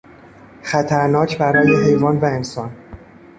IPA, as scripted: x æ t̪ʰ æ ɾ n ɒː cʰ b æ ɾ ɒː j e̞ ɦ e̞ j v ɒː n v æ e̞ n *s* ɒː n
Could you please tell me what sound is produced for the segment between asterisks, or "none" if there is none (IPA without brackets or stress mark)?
s